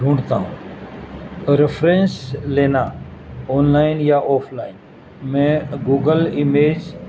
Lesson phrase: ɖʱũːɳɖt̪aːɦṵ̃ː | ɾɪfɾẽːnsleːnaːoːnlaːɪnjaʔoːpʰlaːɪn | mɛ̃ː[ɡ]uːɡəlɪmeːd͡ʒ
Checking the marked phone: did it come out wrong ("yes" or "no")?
no